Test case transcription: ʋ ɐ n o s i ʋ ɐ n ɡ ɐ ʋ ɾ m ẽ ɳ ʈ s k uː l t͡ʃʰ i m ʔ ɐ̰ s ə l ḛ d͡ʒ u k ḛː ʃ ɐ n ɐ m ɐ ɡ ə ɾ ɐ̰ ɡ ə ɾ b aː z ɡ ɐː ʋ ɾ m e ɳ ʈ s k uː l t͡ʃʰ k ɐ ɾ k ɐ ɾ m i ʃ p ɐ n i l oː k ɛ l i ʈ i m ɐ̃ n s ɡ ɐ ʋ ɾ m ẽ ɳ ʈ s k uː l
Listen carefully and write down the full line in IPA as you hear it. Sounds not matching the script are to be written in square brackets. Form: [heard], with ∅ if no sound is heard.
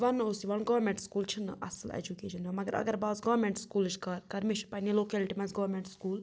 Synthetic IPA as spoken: ʋ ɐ n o s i ʋ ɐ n ɡ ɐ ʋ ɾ m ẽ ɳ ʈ s k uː l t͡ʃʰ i [n] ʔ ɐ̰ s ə l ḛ d͡ʒ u k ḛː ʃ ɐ n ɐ m ɐ ɡ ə ɾ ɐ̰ ɡ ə ɾ b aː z ɡ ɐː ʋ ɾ m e ɳ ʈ s k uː l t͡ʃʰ k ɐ ɾ k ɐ ɾ m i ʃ p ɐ n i l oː k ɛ l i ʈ i m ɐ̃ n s ɡ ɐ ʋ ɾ m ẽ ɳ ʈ s k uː l